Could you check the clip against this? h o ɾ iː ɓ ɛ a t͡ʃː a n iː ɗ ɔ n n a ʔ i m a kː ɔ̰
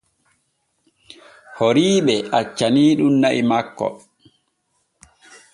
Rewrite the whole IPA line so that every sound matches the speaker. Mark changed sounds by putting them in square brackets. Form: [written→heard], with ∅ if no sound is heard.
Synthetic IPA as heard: h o ɾ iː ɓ ɛ a t͡ʃː a n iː ɗ [ɔ→u] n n a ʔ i m a kː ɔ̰